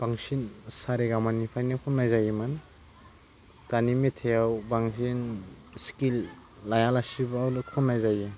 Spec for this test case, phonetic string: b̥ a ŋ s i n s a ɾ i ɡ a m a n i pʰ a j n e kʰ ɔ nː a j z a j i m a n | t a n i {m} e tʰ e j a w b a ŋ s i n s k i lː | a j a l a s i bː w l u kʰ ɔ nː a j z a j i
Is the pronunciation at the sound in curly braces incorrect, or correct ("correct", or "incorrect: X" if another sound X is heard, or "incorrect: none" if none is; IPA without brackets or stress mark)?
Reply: correct